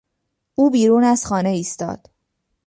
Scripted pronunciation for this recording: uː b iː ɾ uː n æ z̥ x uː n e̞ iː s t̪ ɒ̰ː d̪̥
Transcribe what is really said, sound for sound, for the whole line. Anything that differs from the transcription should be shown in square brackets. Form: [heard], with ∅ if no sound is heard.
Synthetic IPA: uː b iː ɾ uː n æ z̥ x [ɒː] n e̞ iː s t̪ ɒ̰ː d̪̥